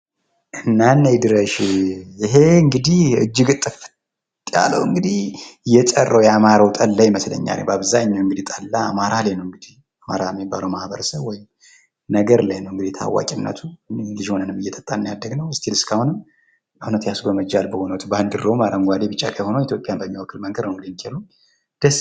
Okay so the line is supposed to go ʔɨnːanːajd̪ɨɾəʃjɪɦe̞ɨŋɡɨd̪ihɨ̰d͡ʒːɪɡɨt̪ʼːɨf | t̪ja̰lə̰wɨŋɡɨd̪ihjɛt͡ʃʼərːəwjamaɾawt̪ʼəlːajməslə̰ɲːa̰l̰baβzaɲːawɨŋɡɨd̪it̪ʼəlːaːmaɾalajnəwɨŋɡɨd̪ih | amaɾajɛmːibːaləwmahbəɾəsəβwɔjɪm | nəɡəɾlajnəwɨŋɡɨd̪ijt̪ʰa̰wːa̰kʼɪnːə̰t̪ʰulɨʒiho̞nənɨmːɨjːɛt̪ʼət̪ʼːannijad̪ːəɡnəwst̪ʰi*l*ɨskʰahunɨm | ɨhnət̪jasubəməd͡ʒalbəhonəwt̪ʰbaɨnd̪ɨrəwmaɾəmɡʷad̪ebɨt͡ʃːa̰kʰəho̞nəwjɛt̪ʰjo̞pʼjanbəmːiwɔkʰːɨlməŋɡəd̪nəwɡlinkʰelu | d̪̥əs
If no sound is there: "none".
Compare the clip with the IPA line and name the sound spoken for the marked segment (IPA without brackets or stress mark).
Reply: l